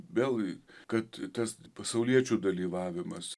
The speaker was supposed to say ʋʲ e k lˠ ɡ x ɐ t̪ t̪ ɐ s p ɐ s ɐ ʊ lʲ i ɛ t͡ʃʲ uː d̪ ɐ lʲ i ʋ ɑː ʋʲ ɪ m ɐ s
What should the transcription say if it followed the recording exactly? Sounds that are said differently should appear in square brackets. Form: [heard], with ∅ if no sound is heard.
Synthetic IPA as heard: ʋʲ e [∅] lˠ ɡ [k] ɐ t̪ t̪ ɐ s p ɐ s ɐ ʊ lʲ i ɛ t͡ʃʲ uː d̪ ɐ lʲ [iː] ʋ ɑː ʋʲ ɪ m ɐ s